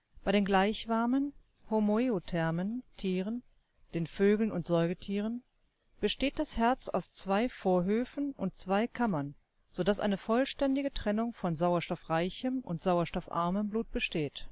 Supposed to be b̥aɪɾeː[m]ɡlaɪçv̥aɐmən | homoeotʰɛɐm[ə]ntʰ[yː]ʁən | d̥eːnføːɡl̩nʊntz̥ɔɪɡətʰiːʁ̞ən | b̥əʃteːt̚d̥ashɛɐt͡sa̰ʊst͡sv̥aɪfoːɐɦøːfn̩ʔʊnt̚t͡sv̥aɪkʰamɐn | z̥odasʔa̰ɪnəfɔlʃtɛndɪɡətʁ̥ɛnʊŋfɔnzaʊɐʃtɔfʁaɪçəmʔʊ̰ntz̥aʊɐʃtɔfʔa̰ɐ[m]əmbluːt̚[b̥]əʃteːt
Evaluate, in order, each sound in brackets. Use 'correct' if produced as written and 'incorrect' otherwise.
incorrect: n, correct, incorrect: iː, correct, correct

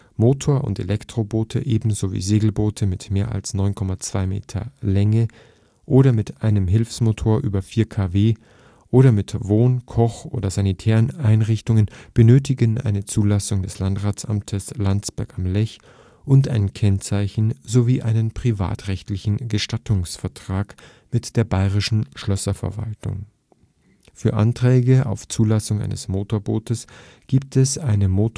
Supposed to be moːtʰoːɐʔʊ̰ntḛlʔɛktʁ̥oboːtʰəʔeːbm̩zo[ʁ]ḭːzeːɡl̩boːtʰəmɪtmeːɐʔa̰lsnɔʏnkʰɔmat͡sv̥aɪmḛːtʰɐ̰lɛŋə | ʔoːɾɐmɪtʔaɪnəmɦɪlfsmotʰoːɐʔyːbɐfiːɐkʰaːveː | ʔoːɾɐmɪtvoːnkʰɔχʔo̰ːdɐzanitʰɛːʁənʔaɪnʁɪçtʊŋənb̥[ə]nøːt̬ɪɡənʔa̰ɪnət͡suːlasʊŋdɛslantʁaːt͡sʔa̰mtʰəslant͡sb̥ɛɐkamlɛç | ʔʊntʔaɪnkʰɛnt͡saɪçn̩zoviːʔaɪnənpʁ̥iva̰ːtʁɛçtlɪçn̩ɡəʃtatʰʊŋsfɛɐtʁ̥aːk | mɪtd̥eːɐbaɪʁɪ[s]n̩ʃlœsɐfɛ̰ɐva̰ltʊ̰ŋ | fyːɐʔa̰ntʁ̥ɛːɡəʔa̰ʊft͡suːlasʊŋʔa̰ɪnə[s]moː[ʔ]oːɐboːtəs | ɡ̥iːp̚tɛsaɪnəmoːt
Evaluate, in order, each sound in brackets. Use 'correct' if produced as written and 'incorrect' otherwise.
incorrect: v, correct, incorrect: ʃ, correct, incorrect: t

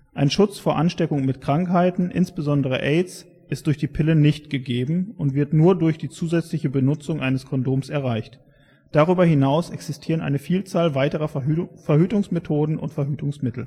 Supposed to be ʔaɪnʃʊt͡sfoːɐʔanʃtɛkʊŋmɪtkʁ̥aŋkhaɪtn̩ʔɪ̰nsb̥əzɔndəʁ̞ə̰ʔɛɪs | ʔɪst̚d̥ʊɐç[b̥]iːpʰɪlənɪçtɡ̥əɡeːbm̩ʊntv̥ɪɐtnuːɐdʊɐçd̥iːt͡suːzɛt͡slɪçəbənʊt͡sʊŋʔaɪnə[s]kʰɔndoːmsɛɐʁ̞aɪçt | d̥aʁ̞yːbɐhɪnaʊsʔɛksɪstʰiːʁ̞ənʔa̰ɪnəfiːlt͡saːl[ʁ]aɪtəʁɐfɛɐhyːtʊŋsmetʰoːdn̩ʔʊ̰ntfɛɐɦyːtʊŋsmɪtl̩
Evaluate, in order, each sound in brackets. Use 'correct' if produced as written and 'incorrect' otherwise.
incorrect: d̥, correct, incorrect: v

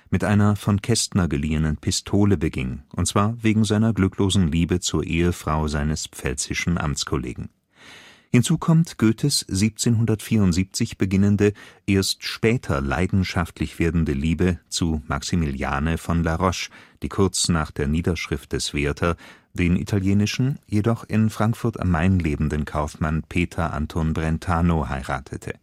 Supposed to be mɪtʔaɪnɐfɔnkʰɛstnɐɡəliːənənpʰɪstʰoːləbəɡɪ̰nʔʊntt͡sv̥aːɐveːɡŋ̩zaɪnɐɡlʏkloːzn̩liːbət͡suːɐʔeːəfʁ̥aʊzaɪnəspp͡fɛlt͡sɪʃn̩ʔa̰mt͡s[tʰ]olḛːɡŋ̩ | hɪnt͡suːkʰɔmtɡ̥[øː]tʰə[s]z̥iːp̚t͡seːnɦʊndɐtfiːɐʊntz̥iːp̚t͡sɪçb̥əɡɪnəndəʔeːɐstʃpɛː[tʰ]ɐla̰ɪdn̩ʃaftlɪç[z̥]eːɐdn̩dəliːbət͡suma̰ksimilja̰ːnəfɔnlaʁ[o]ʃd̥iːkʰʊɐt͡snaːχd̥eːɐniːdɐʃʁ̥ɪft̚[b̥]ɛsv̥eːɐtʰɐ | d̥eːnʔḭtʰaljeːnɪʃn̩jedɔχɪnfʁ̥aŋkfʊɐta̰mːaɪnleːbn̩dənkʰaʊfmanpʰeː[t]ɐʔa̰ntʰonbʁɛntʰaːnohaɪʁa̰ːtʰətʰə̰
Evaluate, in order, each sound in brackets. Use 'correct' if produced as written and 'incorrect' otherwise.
incorrect: kʰ, correct, correct, correct, incorrect: v̥, incorrect: ɔ, incorrect: d̥, incorrect: tʰ

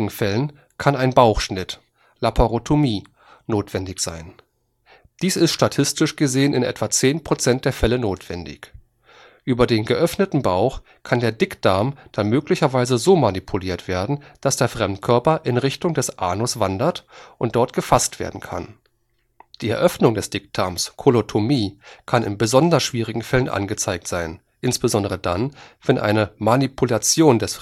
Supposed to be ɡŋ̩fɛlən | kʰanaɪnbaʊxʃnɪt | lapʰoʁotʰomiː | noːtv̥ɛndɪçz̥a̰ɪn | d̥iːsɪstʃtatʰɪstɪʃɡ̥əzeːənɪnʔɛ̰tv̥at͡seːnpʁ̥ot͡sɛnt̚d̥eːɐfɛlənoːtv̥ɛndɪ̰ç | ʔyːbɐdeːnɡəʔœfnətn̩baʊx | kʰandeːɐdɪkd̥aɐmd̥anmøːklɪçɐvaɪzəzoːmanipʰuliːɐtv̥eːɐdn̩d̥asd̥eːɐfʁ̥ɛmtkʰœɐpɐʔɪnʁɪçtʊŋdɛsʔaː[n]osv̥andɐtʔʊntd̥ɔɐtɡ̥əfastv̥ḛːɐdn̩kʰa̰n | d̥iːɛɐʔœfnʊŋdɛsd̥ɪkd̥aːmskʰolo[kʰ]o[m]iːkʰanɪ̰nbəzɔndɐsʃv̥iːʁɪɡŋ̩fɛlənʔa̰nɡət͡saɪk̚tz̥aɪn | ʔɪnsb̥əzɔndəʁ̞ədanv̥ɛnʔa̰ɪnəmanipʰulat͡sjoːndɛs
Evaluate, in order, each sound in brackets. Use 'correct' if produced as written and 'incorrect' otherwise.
correct, incorrect: tʰ, correct

